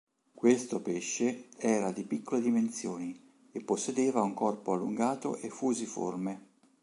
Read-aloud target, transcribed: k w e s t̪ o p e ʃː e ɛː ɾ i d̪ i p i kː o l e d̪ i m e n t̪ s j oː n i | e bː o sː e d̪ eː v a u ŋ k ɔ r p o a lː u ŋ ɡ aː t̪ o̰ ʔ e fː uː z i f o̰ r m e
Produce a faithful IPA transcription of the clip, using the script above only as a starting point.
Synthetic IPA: k w e s t̪ o p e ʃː e ɛː ɾ a d̪ i p i kː o l e d̪ i m e n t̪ s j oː n i | e pː o sː e d̪ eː v a u ŋ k ɔ r p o a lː u ŋ ɡ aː t̪ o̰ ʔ e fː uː z i f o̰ r m e